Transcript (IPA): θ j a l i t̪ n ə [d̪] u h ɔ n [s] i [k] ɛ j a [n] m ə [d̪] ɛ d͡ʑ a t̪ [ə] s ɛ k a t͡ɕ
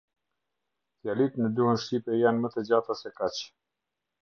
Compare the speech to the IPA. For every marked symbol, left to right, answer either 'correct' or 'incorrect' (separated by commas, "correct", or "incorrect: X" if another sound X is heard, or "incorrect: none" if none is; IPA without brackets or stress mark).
correct, incorrect: ʃ, incorrect: p, correct, incorrect: t̪, incorrect: a